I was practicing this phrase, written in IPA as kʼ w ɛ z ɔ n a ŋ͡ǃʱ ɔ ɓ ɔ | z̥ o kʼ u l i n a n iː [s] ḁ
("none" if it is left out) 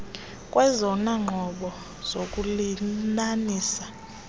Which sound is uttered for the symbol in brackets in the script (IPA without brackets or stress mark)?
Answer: s